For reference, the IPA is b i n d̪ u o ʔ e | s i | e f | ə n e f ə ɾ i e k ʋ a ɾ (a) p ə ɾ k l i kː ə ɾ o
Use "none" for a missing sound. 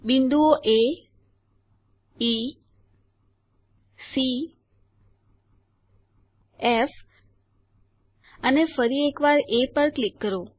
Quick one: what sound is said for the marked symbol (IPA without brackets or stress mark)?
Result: e